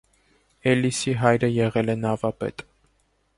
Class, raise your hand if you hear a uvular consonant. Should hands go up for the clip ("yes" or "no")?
yes